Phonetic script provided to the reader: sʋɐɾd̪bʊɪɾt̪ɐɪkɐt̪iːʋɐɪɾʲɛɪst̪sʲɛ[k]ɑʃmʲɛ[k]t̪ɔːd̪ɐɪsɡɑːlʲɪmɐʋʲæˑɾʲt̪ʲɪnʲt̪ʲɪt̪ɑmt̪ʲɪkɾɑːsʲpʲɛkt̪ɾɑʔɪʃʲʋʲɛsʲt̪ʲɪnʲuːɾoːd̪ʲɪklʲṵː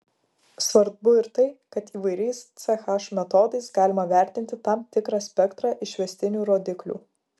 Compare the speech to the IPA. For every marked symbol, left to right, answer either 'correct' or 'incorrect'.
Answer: incorrect, incorrect

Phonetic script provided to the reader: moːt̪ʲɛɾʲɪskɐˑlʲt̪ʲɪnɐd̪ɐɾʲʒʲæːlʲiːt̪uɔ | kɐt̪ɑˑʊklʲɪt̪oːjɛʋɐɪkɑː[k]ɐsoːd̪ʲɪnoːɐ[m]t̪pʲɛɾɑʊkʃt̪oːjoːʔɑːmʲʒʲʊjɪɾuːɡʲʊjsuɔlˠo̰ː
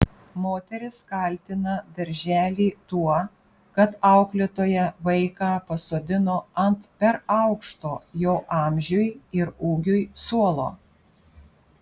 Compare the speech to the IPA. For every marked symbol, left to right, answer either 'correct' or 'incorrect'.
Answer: incorrect, incorrect

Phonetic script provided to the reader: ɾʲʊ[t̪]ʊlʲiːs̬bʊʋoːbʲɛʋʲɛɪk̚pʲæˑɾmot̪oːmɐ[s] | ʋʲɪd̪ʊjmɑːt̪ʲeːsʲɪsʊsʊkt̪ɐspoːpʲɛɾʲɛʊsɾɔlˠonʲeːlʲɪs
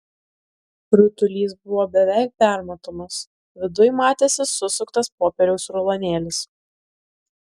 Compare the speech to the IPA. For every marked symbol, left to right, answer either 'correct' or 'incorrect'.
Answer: correct, correct

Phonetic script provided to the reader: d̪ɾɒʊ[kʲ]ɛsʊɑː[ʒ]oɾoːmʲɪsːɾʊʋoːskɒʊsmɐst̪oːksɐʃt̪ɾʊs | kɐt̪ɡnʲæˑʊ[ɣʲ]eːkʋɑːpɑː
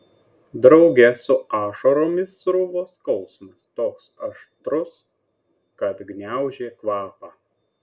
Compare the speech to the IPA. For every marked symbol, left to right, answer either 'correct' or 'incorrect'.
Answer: incorrect, incorrect, incorrect

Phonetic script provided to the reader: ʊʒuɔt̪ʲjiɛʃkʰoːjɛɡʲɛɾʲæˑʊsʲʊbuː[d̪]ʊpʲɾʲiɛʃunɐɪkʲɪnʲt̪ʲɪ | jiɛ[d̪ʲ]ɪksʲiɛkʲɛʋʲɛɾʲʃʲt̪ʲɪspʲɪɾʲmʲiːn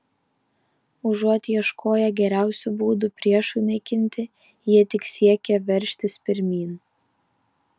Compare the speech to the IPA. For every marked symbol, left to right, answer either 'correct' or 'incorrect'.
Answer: correct, incorrect

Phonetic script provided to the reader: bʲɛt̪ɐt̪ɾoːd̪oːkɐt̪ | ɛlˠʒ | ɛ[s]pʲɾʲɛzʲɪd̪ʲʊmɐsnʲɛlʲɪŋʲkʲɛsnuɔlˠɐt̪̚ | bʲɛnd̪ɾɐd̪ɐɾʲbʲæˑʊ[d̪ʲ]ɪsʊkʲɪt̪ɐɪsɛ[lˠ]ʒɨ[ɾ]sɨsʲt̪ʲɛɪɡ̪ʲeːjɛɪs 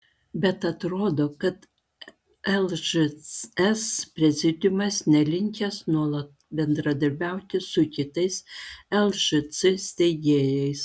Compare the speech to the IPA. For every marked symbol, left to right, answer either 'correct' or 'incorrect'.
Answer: correct, incorrect, correct, incorrect

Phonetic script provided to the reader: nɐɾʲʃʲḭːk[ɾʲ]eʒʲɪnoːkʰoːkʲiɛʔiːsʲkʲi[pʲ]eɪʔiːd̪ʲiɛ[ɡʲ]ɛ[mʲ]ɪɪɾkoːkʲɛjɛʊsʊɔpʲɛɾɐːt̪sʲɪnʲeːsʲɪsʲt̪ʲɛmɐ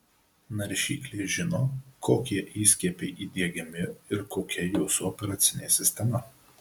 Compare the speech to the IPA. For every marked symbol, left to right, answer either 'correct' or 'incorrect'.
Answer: incorrect, correct, correct, correct

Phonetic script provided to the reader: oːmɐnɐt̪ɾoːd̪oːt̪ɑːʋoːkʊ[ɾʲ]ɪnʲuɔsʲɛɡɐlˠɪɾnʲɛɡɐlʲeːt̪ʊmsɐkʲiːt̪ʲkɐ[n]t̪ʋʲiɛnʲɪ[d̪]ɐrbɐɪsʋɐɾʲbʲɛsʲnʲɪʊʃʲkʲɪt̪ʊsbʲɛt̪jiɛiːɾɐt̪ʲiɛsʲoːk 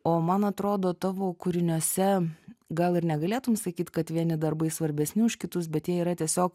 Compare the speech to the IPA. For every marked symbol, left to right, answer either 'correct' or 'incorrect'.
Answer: correct, incorrect, correct

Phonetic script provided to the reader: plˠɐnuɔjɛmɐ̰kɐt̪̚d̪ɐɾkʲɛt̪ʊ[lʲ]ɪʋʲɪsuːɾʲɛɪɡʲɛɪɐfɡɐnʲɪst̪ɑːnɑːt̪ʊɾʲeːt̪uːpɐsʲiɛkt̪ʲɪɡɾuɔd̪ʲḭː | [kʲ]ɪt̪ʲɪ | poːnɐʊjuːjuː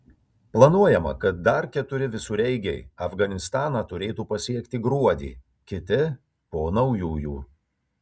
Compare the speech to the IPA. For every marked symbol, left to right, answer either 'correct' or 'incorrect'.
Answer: incorrect, correct

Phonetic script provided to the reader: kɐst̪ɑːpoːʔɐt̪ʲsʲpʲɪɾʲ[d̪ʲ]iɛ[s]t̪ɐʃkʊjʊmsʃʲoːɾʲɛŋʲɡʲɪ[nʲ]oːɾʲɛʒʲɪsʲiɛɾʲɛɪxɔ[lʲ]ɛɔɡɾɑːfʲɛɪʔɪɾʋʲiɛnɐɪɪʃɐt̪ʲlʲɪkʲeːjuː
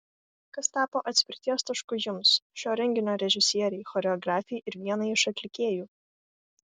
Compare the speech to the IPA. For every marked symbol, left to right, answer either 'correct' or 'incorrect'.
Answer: incorrect, correct, correct, incorrect

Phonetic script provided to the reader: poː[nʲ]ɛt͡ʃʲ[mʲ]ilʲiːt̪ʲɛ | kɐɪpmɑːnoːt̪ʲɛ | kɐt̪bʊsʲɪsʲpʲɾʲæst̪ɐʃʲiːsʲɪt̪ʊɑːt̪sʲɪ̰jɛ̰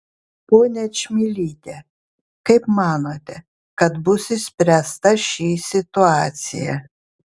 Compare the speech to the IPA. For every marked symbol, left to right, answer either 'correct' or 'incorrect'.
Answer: correct, correct

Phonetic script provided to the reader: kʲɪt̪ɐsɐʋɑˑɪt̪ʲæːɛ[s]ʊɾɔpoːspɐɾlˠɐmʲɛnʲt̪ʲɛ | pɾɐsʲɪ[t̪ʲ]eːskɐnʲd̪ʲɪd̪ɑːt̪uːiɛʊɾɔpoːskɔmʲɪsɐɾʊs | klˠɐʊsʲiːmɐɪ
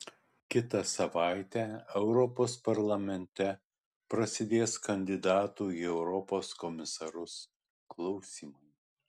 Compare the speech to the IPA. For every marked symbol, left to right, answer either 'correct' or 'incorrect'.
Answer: incorrect, incorrect

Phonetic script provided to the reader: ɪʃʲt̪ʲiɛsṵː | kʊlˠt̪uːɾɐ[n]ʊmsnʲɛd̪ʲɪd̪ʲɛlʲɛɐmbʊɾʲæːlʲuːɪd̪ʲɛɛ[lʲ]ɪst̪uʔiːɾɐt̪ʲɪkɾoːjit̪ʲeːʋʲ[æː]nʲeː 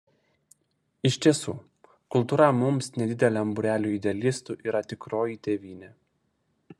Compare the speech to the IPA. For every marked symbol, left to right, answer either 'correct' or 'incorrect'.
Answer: incorrect, correct, incorrect

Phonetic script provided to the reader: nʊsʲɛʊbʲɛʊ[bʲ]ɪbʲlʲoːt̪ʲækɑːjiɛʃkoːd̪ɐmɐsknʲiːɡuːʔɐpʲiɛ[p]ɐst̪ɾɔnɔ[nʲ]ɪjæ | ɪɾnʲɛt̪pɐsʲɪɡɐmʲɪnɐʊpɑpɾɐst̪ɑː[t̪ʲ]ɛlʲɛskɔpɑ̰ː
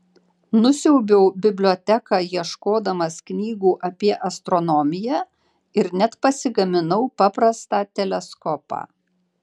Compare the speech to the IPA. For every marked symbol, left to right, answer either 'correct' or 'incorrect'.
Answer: correct, incorrect, incorrect, correct

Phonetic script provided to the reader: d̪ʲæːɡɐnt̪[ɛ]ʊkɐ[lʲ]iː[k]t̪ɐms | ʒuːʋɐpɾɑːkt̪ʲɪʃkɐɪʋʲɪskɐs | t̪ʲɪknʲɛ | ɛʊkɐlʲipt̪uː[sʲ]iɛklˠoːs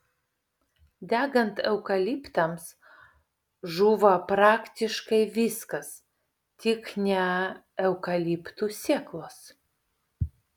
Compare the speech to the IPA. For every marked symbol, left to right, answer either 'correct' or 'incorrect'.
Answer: correct, correct, incorrect, correct

